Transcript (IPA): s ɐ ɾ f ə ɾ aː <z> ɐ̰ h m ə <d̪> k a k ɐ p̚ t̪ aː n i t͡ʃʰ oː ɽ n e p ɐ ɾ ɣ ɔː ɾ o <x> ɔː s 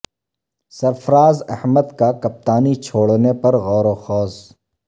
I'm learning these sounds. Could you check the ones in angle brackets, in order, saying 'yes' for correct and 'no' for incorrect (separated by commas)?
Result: yes, yes, yes